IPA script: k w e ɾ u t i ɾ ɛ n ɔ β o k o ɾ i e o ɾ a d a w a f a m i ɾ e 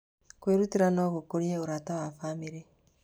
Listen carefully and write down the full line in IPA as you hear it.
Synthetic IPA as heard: k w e ɾ u t i ɾ a n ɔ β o k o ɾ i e o ɾ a t a w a f a m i ɾ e